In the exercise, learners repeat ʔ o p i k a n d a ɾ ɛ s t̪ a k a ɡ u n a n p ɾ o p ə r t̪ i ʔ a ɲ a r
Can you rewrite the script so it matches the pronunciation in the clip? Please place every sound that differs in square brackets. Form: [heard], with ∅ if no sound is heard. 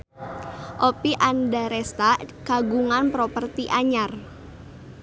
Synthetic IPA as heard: ʔ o p i [ʔ] a n d a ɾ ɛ s t̪ a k a ɡ u [ŋ] a n p ɾ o p ə r t̪ i ʔ a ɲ a r